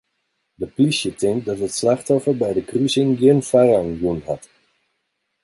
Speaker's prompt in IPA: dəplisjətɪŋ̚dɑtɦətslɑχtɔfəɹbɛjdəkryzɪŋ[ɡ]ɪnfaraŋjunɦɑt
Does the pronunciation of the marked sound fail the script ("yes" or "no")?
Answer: no